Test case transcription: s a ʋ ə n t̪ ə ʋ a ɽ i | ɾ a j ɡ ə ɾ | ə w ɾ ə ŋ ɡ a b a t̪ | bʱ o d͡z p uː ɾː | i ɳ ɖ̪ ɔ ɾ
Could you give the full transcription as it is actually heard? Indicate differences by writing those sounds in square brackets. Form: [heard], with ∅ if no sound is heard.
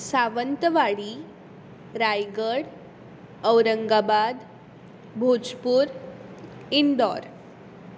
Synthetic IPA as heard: s a ʋ ə n t̪ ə ʋ a ɽ i | ɾ a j ɡ ə [ɽ] | ə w ɾ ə ŋ ɡ a b a [d̪] | bʱ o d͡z p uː [ɾ] | i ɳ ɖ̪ ɔ ɾ